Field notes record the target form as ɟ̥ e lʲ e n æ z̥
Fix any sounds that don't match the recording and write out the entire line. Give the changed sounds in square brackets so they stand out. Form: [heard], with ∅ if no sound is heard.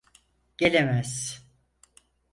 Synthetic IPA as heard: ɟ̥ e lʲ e [m] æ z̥